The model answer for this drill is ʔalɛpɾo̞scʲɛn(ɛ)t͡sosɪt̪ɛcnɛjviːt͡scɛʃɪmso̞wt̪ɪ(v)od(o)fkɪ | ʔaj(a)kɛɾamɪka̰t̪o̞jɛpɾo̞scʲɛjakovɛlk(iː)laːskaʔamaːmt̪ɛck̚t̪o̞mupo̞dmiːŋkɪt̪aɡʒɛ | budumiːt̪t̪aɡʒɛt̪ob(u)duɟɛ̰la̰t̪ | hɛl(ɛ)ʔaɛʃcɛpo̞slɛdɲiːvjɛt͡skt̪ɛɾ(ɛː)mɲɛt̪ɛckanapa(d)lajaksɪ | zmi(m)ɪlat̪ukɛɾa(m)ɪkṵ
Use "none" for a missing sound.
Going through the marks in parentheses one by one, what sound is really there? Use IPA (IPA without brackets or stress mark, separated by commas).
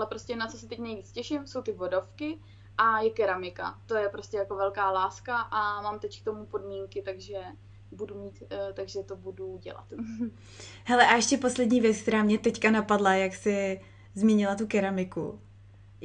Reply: a, v, o, ɛ, aː, u, ɛ, aː, d, ɲ, m